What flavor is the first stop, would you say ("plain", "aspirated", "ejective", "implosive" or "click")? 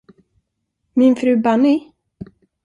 plain